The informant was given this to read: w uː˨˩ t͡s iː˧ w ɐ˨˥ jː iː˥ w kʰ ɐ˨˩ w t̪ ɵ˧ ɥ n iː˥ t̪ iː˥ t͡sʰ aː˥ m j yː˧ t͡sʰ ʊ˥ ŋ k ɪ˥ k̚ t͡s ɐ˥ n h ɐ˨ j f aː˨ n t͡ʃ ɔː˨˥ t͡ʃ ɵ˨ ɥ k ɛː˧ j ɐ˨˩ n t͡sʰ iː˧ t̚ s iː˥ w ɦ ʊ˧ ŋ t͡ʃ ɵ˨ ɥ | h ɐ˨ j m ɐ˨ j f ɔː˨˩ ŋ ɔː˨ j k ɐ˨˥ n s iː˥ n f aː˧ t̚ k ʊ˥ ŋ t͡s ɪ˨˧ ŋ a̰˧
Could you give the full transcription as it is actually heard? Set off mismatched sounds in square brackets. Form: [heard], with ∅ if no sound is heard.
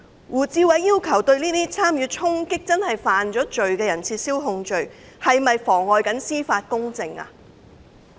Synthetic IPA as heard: w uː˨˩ t͡s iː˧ w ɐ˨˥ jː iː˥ w kʰ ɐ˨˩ w t̪ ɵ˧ ɥ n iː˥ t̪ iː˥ t͡sʰ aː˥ m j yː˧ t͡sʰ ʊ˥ ŋ k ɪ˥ k̚ t͡s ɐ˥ n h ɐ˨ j f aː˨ n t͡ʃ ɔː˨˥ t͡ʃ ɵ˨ ɥ k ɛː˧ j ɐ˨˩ n t͡sʰ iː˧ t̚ s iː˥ w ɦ ʊ˧ ŋ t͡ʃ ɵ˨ ɥ | h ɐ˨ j m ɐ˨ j f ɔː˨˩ ŋ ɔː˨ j k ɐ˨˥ n s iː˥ [∅] f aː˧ t̚ k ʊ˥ ŋ t͡s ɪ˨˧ ŋ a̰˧